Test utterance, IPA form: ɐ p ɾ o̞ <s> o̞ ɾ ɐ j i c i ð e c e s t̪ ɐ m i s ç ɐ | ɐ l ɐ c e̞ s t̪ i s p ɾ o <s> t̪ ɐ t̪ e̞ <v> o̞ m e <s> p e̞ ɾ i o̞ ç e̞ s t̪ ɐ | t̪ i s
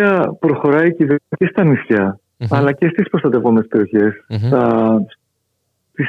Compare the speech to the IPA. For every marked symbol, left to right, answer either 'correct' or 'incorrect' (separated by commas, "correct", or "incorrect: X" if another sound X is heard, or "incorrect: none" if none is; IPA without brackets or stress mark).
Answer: incorrect: x, correct, correct, correct